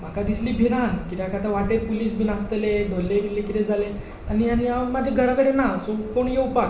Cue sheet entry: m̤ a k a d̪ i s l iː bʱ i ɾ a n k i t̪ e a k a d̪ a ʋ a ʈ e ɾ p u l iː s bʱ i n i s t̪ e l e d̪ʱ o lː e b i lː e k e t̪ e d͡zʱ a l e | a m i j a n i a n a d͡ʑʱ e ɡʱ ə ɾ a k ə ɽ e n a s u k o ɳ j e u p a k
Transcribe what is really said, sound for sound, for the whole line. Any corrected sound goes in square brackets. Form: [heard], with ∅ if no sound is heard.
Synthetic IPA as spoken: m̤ a k a d̪ i s l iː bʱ i ɾ a n k i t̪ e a k a [t̪] a ʋ a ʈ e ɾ p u l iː s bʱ i n [a] s t̪ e l e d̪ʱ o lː e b i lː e k [i] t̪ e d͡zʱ a l e | a [n] i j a n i a [m] a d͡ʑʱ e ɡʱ ə ɾ a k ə ɽ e n a s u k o ɳ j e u p a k